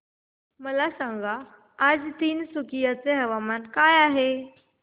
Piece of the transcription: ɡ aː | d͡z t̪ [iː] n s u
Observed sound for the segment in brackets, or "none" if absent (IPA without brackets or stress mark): iː